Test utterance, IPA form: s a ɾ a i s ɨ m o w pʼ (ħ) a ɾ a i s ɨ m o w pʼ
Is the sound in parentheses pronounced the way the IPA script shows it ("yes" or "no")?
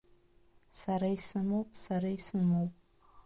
no